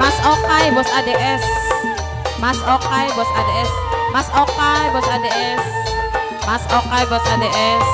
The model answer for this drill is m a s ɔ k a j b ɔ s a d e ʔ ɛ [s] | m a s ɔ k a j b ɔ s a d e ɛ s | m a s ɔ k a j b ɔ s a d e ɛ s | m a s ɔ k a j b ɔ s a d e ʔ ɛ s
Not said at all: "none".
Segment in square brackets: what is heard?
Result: s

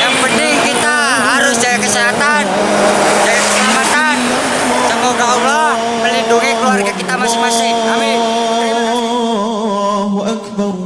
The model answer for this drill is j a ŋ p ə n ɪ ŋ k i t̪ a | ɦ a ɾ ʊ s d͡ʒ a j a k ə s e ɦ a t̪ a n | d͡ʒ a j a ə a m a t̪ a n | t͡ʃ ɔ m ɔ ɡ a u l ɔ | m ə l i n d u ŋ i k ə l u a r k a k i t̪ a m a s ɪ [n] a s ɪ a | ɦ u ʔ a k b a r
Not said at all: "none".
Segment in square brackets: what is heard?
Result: m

